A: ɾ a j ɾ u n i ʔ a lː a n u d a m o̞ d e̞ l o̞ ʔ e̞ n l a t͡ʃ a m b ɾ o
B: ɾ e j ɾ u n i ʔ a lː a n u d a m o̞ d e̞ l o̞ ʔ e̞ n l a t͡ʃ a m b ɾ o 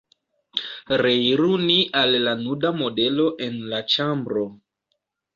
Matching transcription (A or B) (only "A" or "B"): B